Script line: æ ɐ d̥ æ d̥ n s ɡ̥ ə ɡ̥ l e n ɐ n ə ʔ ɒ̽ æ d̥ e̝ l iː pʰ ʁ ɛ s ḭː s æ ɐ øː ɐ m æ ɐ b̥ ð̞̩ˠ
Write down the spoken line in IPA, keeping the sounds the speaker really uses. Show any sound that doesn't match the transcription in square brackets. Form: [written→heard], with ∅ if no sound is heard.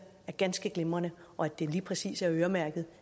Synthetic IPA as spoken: æ ɐ [d̥→ɡ̥] æ [d̥→∅] n s ɡ̥ ə ɡ̥ l e [n→m] ɐ n ə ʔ ɒ̽ æ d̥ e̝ l iː pʰ ʁ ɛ s ḭː s æ ɐ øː ɐ m æ ɐ [b̥→ɡ̥] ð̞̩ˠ